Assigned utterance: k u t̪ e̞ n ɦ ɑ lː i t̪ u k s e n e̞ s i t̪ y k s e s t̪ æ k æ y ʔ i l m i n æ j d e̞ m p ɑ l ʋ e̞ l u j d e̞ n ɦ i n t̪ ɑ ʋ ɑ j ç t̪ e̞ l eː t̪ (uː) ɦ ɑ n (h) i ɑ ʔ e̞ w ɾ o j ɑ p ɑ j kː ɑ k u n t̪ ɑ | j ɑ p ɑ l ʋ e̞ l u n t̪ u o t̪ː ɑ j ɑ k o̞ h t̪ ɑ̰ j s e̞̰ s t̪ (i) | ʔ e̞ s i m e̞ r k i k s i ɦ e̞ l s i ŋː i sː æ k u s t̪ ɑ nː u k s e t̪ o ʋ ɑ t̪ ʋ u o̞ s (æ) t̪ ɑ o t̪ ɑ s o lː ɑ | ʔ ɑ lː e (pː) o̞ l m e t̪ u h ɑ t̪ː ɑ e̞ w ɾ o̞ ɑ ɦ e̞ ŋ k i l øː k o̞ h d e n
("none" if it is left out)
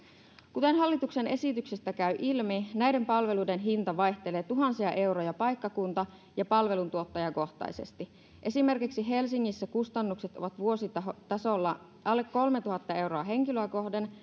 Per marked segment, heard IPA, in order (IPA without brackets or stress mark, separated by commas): u, s, i, i, kː